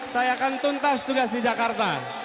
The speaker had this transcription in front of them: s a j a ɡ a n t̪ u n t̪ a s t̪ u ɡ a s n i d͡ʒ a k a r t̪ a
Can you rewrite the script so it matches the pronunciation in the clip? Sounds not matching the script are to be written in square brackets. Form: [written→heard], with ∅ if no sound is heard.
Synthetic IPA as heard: s a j a [ɡ→k] a n t̪ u n t̪ a s t̪ u ɡ a s [n→d] i d͡ʒ a k a r t̪ a